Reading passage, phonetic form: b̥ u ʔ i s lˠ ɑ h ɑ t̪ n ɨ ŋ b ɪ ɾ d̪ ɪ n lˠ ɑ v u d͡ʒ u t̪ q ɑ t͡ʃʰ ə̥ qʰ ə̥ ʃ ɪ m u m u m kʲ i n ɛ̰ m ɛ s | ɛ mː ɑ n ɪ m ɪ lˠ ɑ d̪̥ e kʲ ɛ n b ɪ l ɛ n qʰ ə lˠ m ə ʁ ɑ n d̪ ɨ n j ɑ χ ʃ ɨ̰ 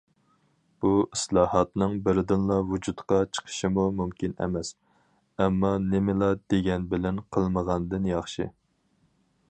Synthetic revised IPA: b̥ u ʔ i s lˠ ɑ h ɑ t̪ n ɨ ŋ b ɪ ɾ d̪ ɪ n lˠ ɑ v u d͡ʒ u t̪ q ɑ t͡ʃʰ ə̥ qʰ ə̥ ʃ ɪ m u m u m kʲ i n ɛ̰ m ɛ s | ɛ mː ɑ n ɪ m ɪ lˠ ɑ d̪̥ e ɡʲ ɛ n b ɪ l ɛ n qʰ ə lˠ m ə ʁ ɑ n d̪ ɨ n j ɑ χ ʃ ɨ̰